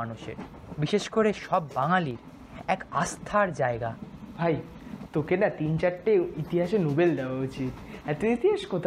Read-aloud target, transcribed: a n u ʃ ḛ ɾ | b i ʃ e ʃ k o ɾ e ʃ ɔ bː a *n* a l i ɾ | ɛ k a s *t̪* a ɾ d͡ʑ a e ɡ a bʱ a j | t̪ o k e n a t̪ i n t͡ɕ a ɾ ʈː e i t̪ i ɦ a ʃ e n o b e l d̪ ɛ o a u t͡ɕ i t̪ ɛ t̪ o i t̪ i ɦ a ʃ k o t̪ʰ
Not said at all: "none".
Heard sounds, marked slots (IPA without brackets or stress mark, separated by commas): ŋ, t̪ʰ